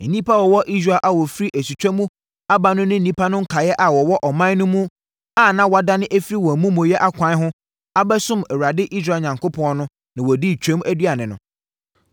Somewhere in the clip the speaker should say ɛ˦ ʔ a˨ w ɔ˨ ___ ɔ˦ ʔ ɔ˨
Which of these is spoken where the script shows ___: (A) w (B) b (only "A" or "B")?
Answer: A